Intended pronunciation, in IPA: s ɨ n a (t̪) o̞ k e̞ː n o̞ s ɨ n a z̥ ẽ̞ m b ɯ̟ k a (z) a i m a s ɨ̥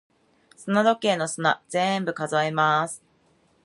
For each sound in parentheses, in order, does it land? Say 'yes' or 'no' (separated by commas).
no, yes